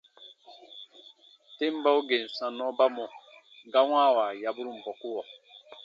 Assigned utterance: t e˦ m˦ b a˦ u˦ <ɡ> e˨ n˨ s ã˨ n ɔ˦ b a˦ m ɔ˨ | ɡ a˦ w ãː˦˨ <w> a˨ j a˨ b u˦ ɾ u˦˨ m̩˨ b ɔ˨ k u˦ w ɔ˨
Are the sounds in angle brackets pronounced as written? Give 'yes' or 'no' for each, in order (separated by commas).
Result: yes, yes